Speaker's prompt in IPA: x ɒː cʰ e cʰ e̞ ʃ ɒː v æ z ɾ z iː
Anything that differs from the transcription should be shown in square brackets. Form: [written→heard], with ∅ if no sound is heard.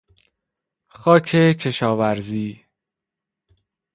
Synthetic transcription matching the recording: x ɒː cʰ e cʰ e̞ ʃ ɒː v æ [z→∅] ɾ z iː

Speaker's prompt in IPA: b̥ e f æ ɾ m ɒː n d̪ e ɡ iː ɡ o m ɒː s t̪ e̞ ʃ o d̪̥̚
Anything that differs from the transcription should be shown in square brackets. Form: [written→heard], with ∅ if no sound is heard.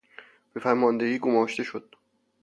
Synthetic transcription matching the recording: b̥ e f æ ɾ m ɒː n d̪ e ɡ iː ɡ o m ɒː [s→ʃ] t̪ e̞ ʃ o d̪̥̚

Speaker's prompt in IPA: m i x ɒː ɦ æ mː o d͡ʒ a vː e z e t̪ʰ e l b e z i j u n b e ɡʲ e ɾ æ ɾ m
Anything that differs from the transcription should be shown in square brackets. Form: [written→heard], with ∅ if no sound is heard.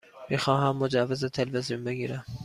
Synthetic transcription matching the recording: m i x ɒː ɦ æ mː o d͡ʒ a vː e z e t̪ʰ e l [b→v] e z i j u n b e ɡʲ [e→i] ɾ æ [ɾ→∅] m

